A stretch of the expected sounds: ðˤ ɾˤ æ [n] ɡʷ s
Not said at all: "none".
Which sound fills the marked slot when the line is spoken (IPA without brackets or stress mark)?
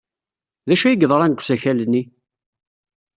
n